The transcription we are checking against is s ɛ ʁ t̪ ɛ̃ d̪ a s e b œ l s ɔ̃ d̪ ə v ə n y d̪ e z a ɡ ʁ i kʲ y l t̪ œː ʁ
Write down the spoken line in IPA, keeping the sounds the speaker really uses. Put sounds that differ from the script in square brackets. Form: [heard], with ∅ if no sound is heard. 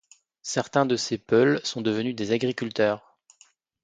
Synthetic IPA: s ɛ ʁ t̪ ɛ̃ d̪ [ə] s e [p] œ l s ɔ̃ d̪ ə v ə n y d̪ e z a ɡ ʁ i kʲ y l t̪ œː ʁ